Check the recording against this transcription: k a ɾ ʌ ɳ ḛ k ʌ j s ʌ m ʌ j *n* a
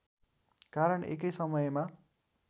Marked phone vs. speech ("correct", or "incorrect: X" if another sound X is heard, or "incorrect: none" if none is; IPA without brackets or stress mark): incorrect: m